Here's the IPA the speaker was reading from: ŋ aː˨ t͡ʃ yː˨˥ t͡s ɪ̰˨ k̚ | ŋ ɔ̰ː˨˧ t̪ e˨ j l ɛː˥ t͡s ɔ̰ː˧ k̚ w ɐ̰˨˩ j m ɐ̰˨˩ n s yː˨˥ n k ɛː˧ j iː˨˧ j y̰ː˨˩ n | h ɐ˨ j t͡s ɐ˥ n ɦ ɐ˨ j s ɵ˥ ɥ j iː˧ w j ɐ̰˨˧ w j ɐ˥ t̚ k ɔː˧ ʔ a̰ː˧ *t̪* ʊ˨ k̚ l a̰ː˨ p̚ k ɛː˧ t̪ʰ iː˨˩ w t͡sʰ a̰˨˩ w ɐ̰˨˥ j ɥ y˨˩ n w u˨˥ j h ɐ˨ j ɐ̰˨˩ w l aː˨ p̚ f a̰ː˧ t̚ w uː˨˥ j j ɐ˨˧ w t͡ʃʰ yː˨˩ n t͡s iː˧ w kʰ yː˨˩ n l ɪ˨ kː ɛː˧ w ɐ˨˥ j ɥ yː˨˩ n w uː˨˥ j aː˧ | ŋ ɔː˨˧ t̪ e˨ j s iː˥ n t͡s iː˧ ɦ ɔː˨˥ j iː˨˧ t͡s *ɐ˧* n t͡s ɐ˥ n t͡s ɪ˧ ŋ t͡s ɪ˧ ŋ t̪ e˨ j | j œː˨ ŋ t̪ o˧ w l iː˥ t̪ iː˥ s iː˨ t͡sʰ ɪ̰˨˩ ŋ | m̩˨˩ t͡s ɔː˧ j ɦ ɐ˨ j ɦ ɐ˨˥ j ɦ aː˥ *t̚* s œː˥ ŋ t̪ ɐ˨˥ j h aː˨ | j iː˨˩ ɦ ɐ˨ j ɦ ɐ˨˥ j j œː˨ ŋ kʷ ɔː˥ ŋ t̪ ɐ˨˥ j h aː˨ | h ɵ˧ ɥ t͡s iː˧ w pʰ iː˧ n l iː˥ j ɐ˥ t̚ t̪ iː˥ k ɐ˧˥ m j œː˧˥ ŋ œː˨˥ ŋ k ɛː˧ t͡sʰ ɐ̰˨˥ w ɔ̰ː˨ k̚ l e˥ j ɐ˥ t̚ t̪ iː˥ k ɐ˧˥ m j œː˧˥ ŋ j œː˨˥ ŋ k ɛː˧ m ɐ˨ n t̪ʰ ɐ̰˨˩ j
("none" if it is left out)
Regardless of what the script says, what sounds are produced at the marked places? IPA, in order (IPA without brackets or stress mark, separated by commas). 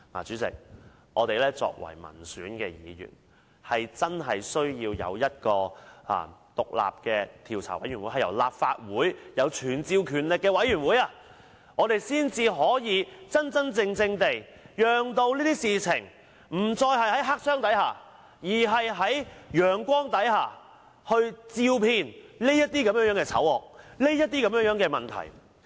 t̪, ɐ˥, k̚